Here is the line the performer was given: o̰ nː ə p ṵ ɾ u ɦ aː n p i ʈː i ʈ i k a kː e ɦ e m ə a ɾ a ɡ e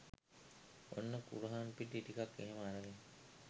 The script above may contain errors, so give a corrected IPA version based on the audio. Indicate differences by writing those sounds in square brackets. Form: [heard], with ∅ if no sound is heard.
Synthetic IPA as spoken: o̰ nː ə [k] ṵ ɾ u ɦ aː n p i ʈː i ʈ i k a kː e ɦ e m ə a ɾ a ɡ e